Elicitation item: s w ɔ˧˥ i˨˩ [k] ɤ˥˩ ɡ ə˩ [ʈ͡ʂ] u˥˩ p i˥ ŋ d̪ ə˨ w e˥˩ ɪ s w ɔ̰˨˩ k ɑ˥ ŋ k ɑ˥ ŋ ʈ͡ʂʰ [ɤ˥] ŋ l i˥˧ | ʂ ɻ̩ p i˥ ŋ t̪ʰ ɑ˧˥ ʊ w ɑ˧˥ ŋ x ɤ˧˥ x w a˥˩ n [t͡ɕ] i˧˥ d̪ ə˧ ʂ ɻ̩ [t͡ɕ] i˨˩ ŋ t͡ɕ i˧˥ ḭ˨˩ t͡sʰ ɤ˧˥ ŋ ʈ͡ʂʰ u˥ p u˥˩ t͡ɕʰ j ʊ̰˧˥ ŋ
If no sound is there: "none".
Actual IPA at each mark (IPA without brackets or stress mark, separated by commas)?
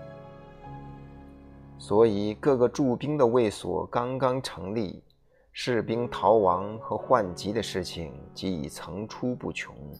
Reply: k, ʈ͡ʂ, ɤ˧˥, t͡ɕ, t͡ɕʰ